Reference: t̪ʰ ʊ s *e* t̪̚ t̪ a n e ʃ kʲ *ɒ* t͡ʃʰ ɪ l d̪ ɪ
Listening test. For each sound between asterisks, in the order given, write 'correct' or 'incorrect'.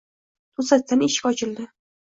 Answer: incorrect, correct

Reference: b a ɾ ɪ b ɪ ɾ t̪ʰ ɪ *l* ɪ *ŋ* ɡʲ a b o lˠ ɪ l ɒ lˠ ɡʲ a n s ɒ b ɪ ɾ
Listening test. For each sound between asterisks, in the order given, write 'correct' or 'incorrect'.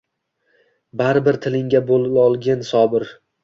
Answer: correct, correct

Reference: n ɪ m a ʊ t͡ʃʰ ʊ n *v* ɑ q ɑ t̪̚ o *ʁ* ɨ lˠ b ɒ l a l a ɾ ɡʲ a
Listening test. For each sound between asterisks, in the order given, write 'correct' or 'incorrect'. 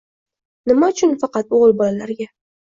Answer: incorrect, correct

